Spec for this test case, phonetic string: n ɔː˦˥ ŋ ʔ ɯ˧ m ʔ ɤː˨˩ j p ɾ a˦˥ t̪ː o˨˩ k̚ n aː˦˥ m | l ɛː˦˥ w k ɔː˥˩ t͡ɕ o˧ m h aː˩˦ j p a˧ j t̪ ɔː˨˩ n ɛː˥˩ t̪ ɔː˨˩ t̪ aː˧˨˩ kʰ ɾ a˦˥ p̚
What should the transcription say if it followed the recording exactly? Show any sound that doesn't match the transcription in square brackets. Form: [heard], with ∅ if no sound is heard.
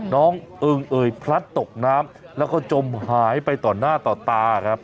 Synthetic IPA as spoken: n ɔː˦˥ ŋ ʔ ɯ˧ [ŋ] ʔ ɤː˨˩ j [pʰ] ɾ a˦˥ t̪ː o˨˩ k̚ n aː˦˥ m | l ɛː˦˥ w k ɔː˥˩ t͡ɕ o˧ m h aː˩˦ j p a˧ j t̪ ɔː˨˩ n [aː˥˩] t̪ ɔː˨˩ t̪ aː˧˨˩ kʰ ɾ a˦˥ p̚